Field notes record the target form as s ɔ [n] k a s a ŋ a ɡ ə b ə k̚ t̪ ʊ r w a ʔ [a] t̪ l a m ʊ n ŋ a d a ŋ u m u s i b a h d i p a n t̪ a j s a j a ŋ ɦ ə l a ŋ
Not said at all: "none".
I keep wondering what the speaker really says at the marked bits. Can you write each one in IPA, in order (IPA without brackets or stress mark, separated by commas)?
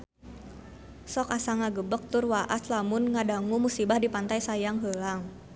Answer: none, a